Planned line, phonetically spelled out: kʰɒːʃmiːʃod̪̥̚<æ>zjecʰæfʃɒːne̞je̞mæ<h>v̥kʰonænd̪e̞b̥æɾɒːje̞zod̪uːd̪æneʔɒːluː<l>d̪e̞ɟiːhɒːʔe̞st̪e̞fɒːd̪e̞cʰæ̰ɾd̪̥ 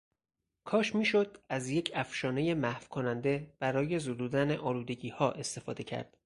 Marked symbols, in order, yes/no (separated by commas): yes, yes, no